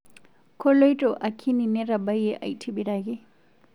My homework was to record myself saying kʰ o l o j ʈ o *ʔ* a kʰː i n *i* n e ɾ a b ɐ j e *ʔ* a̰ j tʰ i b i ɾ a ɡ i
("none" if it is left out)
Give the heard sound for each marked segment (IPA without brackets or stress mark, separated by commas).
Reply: ʔ, i, ʔ